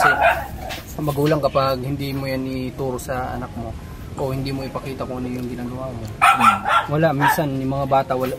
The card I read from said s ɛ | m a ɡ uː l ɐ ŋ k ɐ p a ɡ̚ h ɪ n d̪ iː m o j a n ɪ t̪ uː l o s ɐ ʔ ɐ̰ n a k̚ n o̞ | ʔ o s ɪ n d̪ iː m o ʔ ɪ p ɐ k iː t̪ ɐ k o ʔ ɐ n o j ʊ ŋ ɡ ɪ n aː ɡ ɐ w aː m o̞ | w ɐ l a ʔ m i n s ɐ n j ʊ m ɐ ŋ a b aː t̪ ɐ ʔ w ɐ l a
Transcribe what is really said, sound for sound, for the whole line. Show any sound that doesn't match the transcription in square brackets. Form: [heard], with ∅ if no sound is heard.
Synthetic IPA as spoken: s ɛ | m [ɐ] ɡ uː l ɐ ŋ k ɐ p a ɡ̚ h ɪ n d̪ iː m o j a n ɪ t̪ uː [ɾ] o s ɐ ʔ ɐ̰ n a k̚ [m] o̞ | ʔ o [h] ɪ n d̪ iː m o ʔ ɪ p ɐ k iː t̪ ɐ k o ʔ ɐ n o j ʊ ŋ ɡ ɪ n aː ɡ ɐ w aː m o̞ | w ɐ l a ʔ m i n s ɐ n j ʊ m ɐ ŋ a b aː t̪ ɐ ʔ w ɐ l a